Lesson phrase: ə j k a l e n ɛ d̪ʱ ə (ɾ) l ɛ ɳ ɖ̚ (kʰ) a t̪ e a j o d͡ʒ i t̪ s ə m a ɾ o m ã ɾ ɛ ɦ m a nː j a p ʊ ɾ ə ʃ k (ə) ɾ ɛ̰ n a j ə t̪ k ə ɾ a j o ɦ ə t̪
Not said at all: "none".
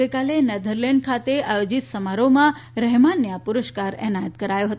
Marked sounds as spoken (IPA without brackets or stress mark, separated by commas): ɾ, kʰ, a